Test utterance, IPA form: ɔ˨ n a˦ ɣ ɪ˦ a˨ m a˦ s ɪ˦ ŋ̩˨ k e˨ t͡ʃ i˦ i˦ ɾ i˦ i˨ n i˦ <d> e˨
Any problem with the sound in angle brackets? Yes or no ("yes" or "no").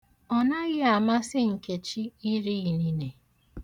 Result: yes